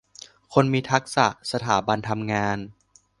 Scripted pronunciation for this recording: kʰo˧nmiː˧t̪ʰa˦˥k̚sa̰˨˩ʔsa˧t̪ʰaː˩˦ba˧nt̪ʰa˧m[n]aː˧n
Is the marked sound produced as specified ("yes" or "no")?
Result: no